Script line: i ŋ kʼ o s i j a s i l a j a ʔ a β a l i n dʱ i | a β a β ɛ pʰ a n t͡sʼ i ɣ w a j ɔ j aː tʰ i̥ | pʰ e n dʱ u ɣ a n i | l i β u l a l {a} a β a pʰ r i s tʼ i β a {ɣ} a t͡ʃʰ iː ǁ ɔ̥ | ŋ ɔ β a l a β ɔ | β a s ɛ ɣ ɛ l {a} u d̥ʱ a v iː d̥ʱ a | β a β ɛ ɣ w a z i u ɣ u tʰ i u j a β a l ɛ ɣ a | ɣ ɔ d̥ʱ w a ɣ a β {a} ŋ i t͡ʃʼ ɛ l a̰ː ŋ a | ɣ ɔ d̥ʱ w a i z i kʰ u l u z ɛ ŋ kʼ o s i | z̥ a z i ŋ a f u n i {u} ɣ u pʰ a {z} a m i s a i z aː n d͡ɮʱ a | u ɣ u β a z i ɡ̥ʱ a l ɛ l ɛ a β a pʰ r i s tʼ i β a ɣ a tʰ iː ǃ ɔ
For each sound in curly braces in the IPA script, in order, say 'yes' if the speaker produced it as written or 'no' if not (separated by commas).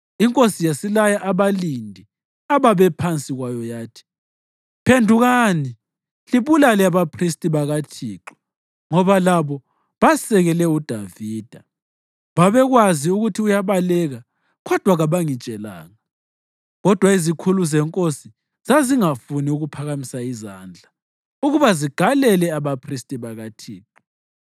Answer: no, yes, no, yes, yes, no